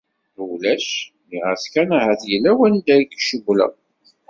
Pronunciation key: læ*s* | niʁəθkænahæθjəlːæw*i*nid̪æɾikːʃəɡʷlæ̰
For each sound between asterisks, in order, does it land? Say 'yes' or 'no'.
no, no

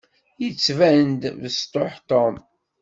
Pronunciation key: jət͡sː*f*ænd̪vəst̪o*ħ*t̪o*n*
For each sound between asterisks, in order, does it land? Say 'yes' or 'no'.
no, yes, no

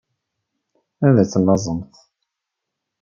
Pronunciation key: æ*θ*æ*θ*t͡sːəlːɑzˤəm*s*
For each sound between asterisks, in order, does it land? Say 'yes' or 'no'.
no, no, no

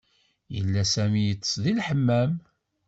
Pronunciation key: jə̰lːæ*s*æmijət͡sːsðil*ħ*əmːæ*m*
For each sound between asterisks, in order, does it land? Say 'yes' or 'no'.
yes, yes, yes

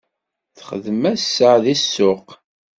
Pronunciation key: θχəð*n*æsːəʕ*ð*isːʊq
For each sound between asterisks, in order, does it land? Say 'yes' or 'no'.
no, yes

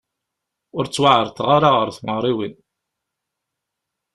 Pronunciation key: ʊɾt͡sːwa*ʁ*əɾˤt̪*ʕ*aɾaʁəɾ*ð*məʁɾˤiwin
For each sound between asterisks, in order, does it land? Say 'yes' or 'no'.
no, no, no

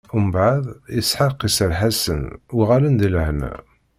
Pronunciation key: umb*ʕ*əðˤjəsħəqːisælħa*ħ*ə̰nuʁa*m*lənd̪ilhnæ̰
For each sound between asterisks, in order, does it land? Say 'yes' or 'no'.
yes, no, no

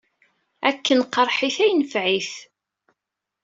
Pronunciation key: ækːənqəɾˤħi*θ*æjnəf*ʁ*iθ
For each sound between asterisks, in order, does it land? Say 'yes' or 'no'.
yes, no

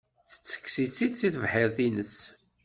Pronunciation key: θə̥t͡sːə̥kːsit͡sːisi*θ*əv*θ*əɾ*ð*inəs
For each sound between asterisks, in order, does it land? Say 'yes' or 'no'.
yes, no, no

